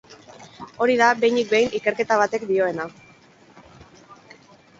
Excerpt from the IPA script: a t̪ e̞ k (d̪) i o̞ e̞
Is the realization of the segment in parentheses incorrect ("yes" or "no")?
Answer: no